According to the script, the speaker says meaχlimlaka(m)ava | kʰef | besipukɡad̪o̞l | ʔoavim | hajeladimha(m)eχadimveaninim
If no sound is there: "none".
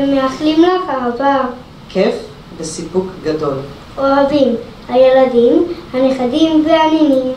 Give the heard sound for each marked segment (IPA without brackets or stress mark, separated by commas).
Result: none, n